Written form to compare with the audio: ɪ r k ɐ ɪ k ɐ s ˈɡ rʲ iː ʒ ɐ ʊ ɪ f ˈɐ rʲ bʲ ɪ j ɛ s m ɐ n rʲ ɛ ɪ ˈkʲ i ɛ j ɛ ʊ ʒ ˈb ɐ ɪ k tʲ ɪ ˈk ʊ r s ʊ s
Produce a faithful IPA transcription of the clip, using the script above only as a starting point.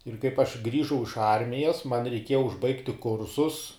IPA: ɪ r k ɐ ɪ p ɐ ʃ ˈɡ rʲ iː ʒ ɐ ʊ ɪ ʃ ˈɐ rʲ mʲ ɪ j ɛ s m ɐ n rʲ ɛ ɪ ˈkʲ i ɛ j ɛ ʊ ʒ ˈb ɐ ɪ k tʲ ɪ ˈk ʊ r s ʊ s